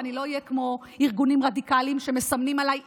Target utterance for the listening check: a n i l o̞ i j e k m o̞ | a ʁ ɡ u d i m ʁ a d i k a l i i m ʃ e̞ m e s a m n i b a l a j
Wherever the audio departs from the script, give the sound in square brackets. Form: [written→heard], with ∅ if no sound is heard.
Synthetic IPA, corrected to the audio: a n i l o̞ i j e k m o̞ | [a→i] ʁ ɡ u [d→n] i m ʁ a d i k a l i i m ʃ e̞ m e s a m n i [b→m] a l a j